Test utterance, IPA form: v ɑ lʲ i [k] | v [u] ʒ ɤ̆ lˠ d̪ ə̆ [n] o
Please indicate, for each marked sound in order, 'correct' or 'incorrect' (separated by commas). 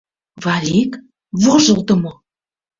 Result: correct, incorrect, incorrect